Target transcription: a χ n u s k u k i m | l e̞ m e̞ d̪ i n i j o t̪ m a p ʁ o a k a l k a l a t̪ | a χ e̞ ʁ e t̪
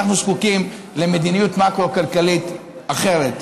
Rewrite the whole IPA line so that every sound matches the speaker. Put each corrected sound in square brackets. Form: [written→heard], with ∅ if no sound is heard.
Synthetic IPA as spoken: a χ n u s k u k i m | l e̞ m e̞ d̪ i n i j [o→u] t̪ m a [p→k] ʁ o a k a l k a l [a→i] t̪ | a χ e̞ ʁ e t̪